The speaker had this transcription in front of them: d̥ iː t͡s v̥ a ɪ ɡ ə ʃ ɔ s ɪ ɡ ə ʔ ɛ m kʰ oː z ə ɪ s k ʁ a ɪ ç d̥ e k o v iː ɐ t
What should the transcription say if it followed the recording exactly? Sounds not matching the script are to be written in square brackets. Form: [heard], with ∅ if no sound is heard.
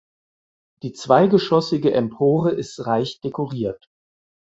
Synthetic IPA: d̥ iː t͡s v̥ a ɪ ɡ ə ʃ ɔ s ɪ ɡ ə ʔ ɛ m [pʰ] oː [ʁ] ə ɪ s [t] ʁ a ɪ ç d̥ e k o [ʁ] iː ɐ t